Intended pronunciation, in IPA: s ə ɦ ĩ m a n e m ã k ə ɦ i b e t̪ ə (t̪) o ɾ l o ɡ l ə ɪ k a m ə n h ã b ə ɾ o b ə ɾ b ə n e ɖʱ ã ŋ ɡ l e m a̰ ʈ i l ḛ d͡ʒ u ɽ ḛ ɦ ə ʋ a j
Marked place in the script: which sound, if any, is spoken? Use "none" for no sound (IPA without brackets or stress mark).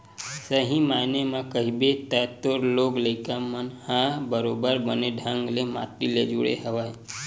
t̪